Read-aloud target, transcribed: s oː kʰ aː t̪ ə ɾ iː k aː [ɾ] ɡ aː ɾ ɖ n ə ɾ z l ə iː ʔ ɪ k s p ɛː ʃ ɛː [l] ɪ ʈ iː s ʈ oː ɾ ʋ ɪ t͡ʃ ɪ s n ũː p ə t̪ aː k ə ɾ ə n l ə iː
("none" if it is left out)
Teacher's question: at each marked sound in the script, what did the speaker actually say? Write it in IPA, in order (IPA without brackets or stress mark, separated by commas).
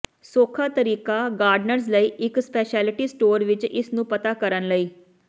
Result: none, l